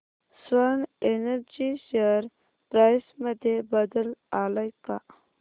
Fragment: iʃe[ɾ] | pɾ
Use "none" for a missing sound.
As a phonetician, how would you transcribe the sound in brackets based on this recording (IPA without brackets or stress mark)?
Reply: ɾ